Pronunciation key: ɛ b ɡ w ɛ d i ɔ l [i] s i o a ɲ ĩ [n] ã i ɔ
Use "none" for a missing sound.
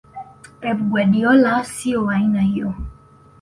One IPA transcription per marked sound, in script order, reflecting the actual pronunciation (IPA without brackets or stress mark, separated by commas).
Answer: a, n